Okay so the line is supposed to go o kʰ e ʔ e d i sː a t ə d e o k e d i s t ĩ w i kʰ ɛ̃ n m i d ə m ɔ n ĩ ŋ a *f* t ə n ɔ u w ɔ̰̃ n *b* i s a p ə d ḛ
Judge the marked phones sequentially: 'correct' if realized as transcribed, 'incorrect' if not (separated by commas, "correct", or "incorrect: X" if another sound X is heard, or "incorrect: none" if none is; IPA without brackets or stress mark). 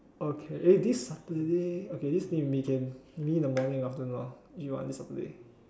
correct, incorrect: d